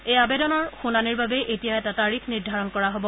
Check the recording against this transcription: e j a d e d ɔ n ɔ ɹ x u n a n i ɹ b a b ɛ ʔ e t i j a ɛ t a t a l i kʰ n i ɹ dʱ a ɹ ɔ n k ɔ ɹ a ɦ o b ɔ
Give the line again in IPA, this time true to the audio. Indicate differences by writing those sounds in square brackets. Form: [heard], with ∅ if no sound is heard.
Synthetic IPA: e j a [b] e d ɔ n ɔ ɹ x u n a n i ɹ b a b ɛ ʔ e t i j a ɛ t a t a [ɹ] i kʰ n i ɹ dʱ a ɹ ɔ n k ɔ ɹ a ɦ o b ɔ